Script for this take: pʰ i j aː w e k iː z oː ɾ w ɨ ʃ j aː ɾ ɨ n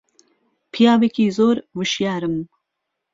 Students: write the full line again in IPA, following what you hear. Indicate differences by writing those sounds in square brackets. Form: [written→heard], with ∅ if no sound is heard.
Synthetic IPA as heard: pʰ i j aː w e k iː z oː ɾ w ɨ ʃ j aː ɾ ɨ [n→m]